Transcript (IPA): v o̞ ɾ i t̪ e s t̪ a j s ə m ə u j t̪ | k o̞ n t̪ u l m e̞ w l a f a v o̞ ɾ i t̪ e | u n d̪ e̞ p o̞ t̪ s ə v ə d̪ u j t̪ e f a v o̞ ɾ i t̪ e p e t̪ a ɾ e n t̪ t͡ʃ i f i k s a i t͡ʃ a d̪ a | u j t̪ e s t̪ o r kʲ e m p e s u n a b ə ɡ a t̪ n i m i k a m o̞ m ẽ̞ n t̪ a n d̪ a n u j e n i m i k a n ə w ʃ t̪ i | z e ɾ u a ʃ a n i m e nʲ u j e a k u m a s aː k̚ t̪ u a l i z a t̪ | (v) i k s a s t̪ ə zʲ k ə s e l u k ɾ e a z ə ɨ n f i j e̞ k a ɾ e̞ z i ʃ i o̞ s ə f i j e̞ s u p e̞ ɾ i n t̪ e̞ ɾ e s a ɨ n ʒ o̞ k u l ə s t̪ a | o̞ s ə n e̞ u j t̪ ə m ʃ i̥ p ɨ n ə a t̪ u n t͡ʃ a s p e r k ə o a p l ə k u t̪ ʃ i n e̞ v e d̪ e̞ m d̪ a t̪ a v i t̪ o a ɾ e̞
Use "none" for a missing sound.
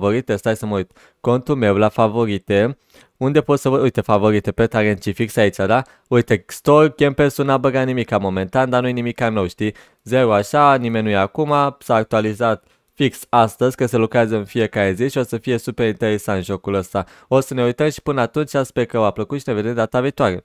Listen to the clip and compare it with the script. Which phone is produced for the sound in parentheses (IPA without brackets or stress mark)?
f